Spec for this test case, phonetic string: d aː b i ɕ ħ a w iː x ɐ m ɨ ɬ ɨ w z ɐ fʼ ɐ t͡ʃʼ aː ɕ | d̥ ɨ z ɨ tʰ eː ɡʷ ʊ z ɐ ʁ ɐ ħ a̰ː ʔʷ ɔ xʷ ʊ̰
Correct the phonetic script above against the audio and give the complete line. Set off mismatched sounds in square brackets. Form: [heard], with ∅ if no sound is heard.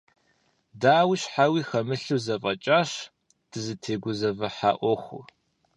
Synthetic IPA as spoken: d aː [w] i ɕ ħ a w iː x ɐ m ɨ ɬ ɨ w z ɐ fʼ ɐ t͡ʃʼ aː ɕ | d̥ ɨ z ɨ tʰ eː ɡʷ ʊ z ɐ [v] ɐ ħ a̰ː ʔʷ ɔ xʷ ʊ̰